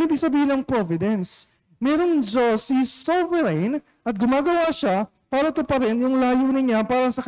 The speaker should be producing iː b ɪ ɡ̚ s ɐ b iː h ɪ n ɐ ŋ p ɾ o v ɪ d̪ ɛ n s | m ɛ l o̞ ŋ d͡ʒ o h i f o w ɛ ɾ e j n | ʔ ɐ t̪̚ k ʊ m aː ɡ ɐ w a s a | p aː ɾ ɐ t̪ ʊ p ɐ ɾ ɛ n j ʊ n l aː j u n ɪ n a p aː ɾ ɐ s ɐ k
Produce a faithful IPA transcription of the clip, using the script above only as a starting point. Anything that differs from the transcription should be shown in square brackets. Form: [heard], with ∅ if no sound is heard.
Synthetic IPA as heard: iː b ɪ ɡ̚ s ɐ b iː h ɪ n ɐ ŋ p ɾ o v ɪ d̪ ɛ n s | m ɛ [ɾ] o̞ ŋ d͡ʒ o [s] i [s] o [v] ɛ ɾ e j n | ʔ ɐ t̪̚ [ɡ] ʊ m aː ɡ ɐ w a [ʃ] a | p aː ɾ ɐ t̪ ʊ p ɐ ɾ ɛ n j ʊ [ŋ] l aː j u n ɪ [ɲ] a p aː ɾ ɐ s ɐ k